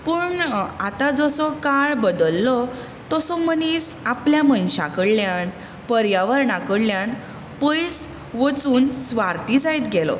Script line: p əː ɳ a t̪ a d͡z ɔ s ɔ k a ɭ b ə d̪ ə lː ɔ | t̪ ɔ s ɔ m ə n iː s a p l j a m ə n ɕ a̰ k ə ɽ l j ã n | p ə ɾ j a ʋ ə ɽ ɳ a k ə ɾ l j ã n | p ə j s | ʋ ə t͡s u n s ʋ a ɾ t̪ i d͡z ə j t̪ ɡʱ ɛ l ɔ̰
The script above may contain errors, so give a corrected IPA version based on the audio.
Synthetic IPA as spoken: p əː ɳ a t̪ a d͡z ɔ s ɔ k a ɭ b ə d̪ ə lː ɔ | t̪ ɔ s ɔ m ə n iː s a p l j a m ə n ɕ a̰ k ə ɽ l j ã n | p ə ɾ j a ʋ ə ɾ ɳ a k ə ɽ l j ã n | p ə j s | ʋ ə t͡s uː n s ʋ a ɾ t̪ i d͡z a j t̪ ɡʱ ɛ l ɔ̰